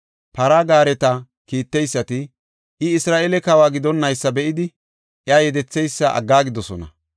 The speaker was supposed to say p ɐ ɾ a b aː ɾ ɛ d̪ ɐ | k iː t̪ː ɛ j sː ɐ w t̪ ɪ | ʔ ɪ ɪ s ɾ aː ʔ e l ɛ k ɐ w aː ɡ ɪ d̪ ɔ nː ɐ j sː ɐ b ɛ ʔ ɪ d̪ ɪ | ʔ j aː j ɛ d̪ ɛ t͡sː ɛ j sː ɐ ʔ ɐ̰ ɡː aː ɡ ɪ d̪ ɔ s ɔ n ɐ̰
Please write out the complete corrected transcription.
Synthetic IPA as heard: p ɐ ɾ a ɡ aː ɾ ɛ t̪ ɐ | k iː t̪ː ɛ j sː ɐ t̪ ɪ | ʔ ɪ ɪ s ɾ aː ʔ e l ɛ k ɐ w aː ɡ ɪ d̪ ɔ nː ɐ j sː ɐ b ɛ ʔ ɪ d̪ ɪ | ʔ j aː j ɛ d̪ ɛ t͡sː ɛ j sː ɐ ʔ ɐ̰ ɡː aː ɡ ɪ d̪ ɔ s ɔ n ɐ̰